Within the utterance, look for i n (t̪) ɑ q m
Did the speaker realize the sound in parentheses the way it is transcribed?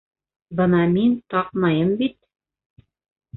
yes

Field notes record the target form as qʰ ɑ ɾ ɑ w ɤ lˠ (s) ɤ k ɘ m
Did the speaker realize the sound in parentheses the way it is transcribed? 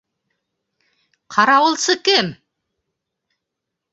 yes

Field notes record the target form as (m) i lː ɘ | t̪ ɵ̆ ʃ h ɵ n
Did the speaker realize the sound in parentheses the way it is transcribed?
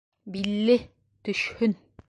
no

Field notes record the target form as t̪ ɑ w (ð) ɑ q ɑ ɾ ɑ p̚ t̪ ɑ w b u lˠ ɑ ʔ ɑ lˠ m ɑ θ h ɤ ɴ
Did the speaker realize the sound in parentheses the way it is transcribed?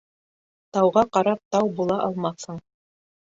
no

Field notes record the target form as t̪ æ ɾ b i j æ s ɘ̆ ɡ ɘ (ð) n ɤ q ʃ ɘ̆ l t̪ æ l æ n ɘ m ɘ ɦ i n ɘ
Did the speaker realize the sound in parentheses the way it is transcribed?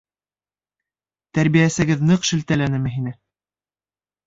yes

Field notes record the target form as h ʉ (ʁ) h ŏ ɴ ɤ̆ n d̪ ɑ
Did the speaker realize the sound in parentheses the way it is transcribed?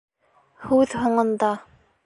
no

